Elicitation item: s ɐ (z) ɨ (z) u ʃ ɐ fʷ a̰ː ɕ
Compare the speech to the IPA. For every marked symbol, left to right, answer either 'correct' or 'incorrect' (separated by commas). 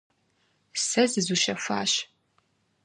correct, correct